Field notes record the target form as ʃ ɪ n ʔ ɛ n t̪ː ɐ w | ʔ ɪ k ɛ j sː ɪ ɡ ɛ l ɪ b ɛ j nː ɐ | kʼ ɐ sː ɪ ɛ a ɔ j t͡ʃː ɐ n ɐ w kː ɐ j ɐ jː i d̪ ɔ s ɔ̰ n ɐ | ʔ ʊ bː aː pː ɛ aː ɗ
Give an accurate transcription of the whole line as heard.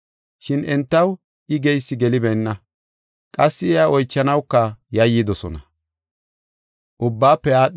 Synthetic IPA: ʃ ɪ n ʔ ɛ n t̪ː ɐ w | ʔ ɪ ɡ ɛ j sː ɪ ɡ ɛ l ɪ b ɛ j nː ɐ | kʼ ɐ sː ɪ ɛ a ɔ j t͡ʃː ɐ n ɐ w kː ɐ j ɐ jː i d̪ ɔ s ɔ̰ n ɐ | ʔ ʊ bː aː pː ɛ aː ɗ